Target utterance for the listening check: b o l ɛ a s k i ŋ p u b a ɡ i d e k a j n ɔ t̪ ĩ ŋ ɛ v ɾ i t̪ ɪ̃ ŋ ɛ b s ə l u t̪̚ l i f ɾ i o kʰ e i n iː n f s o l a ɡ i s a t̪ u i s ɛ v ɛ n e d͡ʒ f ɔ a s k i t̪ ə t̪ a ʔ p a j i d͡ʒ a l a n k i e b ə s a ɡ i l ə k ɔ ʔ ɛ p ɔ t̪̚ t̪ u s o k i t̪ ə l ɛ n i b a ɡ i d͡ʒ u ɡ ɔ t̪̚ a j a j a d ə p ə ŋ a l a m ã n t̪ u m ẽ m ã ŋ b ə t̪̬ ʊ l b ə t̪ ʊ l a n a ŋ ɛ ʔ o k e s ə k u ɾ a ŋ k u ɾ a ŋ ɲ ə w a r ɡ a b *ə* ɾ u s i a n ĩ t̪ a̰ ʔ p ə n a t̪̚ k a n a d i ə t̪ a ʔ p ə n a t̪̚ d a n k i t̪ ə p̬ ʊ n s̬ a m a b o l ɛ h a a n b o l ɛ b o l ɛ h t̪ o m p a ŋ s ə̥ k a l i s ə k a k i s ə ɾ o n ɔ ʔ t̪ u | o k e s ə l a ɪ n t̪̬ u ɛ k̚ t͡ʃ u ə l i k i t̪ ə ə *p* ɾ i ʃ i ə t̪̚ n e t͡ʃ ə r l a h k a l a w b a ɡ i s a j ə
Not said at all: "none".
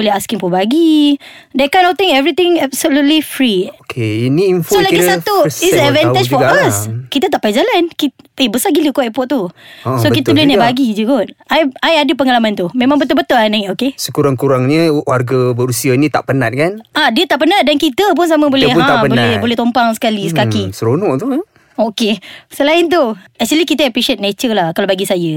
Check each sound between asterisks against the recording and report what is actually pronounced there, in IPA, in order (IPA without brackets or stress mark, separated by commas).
ə, p